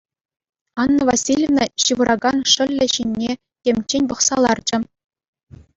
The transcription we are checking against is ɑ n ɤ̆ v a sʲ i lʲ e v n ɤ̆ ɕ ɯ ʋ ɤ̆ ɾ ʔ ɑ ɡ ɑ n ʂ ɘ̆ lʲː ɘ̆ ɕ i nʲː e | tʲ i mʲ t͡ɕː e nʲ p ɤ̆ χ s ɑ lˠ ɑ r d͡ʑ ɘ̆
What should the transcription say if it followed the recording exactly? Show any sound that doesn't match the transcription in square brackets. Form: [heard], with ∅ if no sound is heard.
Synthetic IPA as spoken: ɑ [nː] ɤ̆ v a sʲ i lʲ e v n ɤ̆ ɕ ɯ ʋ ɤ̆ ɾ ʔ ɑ ɡ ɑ n ʂ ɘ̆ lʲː ɘ̆ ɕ i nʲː e | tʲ [e] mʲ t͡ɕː e nʲ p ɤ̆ χ s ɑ lˠ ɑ r d͡ʑ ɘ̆